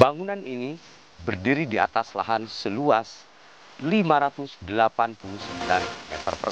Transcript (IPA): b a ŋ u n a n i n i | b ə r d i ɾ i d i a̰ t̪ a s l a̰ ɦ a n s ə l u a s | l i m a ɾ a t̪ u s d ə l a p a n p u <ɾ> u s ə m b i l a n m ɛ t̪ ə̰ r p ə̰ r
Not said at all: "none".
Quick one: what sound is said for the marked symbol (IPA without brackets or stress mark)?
l